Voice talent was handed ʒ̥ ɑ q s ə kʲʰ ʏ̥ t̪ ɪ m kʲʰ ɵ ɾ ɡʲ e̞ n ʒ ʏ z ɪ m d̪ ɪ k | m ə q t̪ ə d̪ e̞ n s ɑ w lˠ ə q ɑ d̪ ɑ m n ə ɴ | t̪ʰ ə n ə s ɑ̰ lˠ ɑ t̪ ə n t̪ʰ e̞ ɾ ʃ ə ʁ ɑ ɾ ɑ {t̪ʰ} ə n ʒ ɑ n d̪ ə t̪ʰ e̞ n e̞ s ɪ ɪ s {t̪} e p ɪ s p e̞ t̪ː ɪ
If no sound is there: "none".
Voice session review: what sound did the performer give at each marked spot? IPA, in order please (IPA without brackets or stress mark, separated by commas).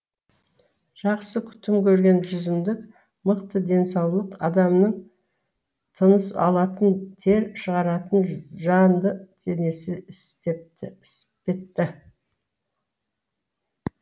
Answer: t̪, t̪